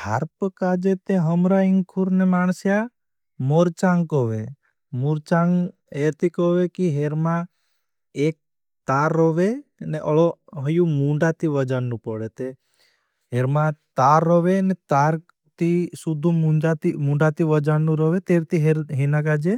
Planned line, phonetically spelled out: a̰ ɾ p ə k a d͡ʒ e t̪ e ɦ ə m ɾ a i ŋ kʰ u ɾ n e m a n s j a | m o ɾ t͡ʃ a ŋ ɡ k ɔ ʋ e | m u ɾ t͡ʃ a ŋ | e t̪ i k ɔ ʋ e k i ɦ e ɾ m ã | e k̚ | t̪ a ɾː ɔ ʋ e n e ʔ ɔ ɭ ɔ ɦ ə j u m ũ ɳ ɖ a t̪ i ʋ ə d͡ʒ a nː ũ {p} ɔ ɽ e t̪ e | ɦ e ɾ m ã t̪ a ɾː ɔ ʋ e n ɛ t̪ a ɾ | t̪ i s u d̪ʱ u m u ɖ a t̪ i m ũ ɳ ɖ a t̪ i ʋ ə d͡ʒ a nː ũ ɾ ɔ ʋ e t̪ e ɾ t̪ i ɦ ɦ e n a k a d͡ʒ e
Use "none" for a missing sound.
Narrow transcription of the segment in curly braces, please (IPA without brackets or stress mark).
p